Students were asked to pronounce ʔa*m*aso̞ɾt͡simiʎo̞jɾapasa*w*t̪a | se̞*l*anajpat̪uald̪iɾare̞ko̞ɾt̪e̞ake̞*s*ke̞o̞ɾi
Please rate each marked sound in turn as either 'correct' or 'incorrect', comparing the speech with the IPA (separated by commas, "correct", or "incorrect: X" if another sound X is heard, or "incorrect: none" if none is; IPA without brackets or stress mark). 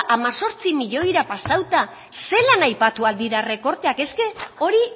correct, correct, correct, correct